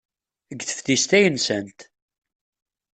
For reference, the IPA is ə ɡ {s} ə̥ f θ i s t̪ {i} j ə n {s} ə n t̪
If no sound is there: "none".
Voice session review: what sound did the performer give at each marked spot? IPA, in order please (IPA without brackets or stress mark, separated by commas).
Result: θ, æ, s